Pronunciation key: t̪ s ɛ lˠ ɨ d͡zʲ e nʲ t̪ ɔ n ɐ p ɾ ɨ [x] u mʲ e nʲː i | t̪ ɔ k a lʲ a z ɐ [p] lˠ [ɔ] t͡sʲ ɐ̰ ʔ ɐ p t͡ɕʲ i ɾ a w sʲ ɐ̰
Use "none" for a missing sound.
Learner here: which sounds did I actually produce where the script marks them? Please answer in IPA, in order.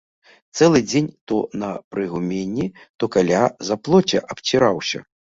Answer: ɣ, p, ɔ

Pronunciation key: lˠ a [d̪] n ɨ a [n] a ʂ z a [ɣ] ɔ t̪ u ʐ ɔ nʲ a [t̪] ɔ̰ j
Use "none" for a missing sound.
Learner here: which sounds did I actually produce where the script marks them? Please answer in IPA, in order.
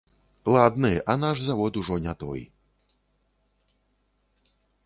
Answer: d̪, n, v, t̪

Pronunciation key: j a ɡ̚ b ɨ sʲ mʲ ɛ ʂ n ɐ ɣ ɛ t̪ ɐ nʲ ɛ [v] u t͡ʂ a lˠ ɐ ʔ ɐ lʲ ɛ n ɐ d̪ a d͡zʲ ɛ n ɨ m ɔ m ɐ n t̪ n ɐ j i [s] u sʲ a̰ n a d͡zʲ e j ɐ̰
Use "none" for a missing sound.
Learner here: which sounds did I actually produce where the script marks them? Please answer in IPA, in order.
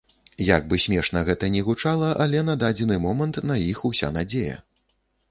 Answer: ɣ, x

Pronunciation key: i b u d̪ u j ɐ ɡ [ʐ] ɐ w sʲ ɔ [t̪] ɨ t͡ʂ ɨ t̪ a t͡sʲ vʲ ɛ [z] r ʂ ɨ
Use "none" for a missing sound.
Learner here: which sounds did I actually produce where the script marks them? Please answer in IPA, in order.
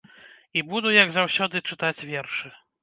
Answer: z, d̪, none

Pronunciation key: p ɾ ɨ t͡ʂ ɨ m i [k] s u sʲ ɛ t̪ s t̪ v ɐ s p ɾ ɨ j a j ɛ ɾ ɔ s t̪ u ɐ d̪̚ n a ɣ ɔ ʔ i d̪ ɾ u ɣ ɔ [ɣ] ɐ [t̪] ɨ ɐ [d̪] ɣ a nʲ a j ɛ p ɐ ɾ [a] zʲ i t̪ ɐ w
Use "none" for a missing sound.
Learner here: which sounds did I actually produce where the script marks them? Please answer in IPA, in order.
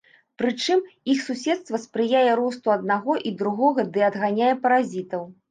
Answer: x, ɣ, d̪, d̪, a

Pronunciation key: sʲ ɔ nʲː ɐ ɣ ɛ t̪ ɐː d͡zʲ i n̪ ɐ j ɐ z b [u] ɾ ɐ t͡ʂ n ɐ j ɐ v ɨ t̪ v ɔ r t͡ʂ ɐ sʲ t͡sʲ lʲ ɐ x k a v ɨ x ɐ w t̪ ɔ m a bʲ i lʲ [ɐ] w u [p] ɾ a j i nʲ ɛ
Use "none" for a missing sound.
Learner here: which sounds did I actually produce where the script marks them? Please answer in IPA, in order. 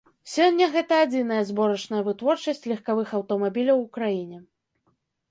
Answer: ɔ, ɐ, k

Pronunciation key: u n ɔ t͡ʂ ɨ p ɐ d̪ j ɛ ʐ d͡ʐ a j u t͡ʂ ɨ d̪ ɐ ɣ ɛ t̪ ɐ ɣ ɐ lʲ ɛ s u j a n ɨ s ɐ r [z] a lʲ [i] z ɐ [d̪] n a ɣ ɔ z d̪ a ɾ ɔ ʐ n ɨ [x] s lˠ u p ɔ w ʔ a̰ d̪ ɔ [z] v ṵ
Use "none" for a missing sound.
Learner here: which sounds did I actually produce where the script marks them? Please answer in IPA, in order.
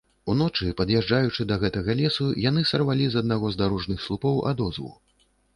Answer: v, i, d̪, x, z

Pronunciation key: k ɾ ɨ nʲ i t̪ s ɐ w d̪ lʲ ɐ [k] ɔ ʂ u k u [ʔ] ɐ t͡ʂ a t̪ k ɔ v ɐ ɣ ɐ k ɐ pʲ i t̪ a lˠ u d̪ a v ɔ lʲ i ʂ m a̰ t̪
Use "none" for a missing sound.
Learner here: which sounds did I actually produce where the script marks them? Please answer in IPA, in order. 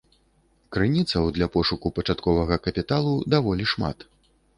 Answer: p, p

